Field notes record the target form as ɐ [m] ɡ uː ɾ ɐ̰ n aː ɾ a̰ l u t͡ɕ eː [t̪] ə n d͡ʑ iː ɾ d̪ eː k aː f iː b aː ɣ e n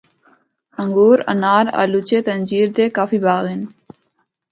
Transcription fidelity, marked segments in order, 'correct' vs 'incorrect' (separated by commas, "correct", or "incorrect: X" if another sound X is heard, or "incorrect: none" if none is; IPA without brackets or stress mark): incorrect: ŋ, correct